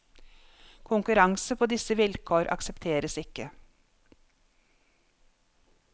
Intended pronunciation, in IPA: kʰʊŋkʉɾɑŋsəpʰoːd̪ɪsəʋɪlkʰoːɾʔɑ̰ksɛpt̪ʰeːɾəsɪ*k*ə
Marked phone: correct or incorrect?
correct